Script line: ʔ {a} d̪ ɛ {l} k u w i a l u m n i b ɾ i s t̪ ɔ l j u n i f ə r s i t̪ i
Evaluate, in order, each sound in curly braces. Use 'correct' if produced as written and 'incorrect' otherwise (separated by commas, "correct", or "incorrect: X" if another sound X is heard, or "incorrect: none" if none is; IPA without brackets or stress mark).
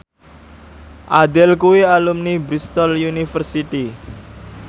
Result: correct, correct